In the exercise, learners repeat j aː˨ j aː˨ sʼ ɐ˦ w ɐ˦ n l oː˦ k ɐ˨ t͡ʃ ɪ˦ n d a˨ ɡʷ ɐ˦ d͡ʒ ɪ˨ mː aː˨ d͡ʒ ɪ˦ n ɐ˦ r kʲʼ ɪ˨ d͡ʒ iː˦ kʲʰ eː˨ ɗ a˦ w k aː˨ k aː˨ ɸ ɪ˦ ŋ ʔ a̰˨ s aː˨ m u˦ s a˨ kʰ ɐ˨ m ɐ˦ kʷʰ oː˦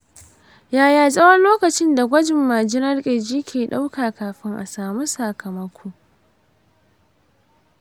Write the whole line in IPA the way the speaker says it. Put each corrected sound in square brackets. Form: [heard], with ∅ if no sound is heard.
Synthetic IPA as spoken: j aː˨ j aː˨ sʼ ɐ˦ w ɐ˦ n l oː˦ k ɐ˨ t͡ʃ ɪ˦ n d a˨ ɡʷ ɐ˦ d͡ʒ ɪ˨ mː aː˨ d͡ʒ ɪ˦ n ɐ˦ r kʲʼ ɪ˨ d͡ʒ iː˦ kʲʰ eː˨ ɗ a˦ w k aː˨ k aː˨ ɸ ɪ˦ ŋ ʔ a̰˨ s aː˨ m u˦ s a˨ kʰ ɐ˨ m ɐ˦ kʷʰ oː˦